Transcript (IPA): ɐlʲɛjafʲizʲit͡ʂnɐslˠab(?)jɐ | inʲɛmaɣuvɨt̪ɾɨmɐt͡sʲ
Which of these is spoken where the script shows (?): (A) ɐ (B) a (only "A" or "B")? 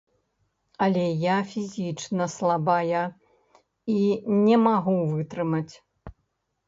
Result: B